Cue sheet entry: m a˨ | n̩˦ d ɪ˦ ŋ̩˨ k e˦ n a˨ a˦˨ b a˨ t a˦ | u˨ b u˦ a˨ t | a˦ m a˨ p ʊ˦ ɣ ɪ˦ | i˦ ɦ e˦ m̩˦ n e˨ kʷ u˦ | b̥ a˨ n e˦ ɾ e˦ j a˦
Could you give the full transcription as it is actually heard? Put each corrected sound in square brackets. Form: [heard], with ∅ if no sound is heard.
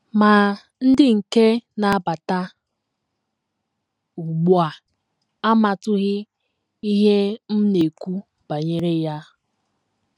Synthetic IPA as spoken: m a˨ | n̩˦ d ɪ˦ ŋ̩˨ k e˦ n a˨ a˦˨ b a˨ t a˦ | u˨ [ɡ͡b] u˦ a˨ [∅] | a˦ m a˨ [t] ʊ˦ ɣ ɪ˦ | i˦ ɦ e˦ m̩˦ n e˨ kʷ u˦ | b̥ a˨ [ɲ] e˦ ɾ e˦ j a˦